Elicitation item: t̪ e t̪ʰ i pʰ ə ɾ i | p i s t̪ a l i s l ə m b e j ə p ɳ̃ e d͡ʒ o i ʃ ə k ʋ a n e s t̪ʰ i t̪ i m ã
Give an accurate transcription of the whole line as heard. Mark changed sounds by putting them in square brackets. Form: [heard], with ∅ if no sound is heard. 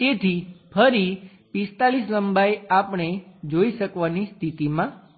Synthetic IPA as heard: t̪ e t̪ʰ i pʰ ə ɾ i | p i s t̪ a l i s l ə m b [a] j [a] p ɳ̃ e d͡ʒ o i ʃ ə k ʋ a n [i] s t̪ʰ i t̪ i m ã